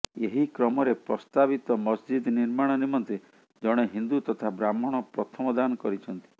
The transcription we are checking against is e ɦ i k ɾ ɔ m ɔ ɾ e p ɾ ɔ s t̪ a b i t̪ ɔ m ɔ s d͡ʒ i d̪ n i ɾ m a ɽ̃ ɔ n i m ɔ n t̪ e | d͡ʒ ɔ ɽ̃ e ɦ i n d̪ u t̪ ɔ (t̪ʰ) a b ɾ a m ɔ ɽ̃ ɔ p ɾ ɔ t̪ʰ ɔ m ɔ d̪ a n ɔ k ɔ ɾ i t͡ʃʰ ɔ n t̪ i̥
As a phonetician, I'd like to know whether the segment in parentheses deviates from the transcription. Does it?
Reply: no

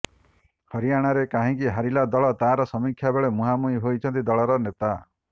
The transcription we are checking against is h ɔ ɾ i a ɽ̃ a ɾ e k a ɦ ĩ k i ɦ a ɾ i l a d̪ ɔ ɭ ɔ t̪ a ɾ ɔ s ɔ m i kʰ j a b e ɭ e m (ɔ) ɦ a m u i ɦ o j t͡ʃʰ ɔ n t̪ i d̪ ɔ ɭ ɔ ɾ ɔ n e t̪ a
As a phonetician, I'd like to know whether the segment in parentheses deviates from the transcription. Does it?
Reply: yes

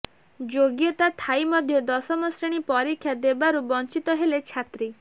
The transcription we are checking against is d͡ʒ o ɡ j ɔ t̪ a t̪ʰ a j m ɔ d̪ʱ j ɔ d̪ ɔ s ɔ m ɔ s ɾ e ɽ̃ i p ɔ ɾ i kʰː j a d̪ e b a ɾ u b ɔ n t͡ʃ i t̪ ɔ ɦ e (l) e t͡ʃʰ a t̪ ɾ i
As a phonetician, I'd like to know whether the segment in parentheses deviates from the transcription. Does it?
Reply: no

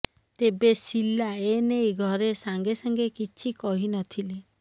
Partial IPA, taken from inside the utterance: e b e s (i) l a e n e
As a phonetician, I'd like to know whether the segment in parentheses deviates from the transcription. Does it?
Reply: no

